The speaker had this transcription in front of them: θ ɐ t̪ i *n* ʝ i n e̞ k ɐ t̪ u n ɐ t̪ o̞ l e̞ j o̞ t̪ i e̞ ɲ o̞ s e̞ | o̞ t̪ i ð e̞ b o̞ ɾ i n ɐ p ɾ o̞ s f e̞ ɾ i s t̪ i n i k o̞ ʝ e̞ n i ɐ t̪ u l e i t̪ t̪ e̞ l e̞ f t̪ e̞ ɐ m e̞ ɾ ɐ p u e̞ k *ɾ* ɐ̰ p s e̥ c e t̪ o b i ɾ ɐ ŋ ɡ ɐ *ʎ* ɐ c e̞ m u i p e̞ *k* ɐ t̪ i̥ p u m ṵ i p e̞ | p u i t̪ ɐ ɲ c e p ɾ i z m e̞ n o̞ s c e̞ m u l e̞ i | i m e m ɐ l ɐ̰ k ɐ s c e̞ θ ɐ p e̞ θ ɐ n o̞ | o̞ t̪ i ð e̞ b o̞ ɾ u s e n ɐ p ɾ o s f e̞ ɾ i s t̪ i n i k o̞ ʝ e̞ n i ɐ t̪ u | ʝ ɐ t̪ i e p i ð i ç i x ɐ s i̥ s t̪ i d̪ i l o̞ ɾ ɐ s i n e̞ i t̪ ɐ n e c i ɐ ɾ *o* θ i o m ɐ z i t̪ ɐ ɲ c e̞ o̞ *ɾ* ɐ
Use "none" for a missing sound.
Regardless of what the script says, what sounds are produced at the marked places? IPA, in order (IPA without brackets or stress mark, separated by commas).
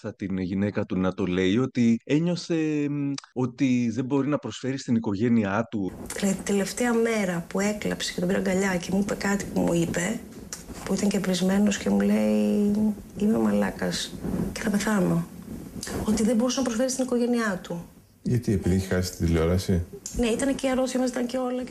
n, l, ʎ, k, o, l